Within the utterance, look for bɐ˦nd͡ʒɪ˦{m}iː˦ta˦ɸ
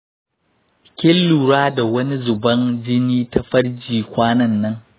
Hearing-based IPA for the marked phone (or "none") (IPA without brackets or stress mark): n